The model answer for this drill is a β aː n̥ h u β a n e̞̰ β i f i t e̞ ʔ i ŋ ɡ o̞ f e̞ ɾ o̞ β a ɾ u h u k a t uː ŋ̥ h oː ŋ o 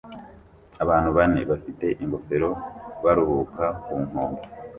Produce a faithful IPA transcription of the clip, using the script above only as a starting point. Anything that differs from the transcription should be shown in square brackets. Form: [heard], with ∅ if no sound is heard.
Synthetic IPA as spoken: a β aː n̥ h u β a n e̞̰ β [a] f i t e̞ ʔ i ŋ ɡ o̞ f e̞ ɾ o̞ β a ɾ u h u k a [k] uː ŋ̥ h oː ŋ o